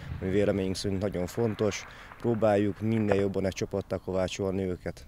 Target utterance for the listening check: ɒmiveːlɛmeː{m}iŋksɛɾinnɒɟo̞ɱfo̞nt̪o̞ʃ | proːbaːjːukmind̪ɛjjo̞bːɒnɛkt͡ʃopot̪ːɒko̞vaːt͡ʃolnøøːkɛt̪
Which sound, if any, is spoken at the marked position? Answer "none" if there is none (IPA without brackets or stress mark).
ɲ